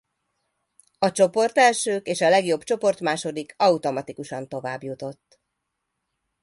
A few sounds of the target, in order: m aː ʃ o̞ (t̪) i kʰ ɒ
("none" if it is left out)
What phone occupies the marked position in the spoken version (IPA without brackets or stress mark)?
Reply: d̪